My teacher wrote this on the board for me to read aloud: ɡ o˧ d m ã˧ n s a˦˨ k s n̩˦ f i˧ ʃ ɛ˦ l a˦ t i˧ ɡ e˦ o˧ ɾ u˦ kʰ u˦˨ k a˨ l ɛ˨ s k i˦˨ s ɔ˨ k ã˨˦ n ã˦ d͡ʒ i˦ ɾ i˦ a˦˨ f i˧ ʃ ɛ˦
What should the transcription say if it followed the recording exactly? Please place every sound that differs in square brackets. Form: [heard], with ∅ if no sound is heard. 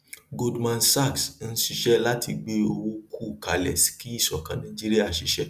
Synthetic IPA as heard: ɡ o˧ d m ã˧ n s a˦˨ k s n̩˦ [ʃ] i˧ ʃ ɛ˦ l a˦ t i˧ [ɡ͡b] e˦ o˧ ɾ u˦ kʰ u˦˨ k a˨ l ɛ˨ s k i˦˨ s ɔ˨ k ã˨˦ n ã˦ d͡ʒ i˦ ɾ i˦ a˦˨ [ʃ] i˧ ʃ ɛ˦